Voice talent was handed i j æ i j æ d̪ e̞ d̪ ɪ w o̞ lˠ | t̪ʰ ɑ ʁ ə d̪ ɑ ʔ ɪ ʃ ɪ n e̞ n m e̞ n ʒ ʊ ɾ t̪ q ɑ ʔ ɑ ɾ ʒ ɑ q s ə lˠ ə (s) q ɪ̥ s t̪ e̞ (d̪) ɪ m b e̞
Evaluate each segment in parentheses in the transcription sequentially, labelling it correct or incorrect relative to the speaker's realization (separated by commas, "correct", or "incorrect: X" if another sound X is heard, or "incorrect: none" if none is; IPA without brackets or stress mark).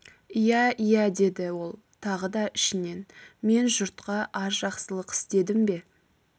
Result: incorrect: none, correct